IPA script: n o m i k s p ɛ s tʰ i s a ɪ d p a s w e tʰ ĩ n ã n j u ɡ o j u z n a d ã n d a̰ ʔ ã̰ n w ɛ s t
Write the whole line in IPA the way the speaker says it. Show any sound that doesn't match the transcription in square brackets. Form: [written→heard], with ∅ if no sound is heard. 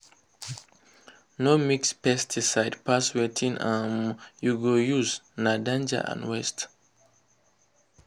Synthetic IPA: n o m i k s p ɛ s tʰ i s a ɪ d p a s w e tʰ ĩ n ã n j u ɡ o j u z n a d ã n [d→d͡ʒ] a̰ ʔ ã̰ n w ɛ s t